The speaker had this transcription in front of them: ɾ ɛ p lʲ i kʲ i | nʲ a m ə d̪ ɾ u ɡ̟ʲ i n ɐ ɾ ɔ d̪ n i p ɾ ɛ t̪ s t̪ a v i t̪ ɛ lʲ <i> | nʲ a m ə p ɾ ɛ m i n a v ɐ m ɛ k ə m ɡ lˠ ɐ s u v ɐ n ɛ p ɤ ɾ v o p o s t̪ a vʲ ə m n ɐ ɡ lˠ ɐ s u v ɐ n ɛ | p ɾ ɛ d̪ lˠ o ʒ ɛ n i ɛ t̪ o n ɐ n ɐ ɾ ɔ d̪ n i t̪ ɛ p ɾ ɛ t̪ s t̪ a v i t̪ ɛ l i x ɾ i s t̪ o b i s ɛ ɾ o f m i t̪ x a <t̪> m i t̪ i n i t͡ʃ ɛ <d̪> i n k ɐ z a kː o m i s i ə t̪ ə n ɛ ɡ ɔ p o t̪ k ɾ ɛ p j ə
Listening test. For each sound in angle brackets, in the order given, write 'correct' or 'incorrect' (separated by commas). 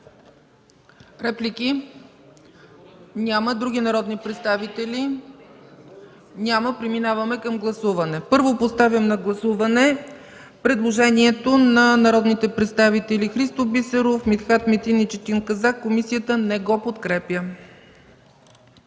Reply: correct, correct, incorrect